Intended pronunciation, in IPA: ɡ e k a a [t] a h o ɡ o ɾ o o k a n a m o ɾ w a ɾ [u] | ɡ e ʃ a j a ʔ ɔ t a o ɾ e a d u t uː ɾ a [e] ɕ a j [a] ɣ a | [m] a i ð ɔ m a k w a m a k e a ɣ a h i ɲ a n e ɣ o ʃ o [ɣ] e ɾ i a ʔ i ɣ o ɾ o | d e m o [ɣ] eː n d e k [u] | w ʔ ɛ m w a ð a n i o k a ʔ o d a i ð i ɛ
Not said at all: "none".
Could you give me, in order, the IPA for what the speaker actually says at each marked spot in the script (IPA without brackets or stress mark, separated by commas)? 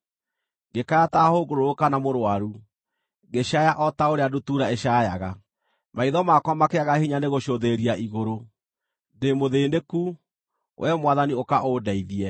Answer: t, u, e, a, m, ð, ð, u